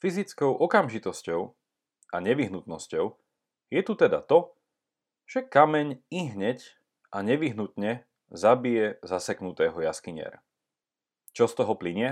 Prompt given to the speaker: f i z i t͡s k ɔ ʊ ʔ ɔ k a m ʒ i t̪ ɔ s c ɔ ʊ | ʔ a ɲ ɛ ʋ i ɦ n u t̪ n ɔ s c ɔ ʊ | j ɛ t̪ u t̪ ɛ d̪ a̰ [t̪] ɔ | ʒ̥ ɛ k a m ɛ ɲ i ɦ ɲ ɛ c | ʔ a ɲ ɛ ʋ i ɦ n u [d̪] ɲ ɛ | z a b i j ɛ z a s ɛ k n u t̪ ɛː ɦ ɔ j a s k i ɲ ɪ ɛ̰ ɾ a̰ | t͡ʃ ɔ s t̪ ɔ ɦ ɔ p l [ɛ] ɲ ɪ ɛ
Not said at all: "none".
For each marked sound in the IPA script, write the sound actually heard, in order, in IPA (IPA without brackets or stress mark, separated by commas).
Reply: t̪, t̪, i